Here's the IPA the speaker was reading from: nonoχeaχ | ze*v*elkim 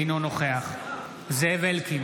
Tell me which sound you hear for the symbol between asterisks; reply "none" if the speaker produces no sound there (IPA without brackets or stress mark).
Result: v